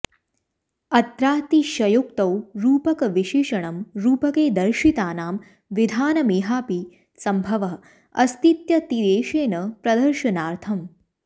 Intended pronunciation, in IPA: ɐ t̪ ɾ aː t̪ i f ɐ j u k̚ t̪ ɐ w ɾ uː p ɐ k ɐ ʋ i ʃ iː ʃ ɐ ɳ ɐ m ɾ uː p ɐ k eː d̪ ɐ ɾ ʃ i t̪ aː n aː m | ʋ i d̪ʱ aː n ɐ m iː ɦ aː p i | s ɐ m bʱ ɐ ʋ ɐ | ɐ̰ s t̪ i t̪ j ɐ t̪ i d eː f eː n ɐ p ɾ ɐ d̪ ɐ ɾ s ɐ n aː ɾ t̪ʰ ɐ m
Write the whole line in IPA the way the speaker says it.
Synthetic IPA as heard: ɐ t̪ ɾ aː t̪ i ʃ ɐ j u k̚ t̪ ɐ w ɾ uː p ɐ k ɐ ʋ i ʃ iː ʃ ɐ ɳ ɐ m ɾ uː p ɐ k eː d̪ ɐ ɾ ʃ i t̪ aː n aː m | ʋ i d̪ʱ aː n ɐ m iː ɦ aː p i | s ɐ m bʱ ɐ ʋ ɐ | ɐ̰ s t̪ i t̪ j ɐ t̪ i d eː ʃ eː n ɐ p ɾ ɐ d̪ ɐ ɾ ʃ ɐ n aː ɾ t̪ʰ ɐ m